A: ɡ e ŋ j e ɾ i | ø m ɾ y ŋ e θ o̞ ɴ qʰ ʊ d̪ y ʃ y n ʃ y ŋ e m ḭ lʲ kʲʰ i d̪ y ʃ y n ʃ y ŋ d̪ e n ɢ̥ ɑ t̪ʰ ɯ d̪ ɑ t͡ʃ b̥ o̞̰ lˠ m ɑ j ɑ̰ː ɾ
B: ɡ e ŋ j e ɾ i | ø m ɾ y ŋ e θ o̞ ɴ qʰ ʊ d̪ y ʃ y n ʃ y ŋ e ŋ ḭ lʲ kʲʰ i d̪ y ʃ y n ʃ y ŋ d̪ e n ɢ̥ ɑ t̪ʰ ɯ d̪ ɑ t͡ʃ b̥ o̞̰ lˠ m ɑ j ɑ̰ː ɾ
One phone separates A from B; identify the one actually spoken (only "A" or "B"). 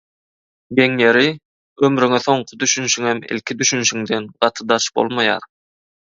A